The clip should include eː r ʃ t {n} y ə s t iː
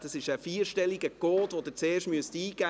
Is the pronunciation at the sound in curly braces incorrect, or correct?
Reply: incorrect